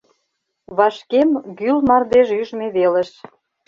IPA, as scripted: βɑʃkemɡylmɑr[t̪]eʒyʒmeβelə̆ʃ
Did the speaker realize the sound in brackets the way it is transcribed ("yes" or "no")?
no